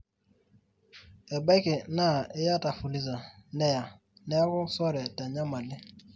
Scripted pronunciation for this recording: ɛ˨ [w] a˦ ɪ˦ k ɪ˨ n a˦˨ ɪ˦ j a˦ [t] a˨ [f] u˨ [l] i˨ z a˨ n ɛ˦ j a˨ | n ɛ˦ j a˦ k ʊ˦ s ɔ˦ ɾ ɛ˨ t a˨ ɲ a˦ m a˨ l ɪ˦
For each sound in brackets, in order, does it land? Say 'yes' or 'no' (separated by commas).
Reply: no, yes, yes, yes